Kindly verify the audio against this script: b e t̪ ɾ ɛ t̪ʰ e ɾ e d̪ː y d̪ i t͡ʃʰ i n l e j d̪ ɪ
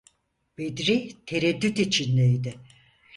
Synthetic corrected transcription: b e d̪ ɾ i t̪ʰ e ɾ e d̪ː y t̪ i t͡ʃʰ i n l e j d̪ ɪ